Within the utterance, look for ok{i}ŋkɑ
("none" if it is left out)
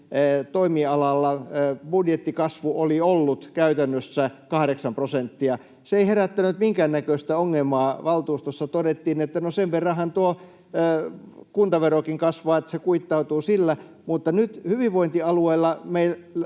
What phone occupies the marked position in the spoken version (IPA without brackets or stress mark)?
i